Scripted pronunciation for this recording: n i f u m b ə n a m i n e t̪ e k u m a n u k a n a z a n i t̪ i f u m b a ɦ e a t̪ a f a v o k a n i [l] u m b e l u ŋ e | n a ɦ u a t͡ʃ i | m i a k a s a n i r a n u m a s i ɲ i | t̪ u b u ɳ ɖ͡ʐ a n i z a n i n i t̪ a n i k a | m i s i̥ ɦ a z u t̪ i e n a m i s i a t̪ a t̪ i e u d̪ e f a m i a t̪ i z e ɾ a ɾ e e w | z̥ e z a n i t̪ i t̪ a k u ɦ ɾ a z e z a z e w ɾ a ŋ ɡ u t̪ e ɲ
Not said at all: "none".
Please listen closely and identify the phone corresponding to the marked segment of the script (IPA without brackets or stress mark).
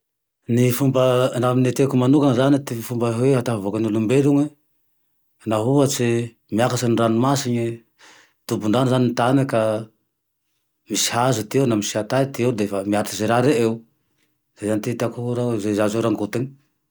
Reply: l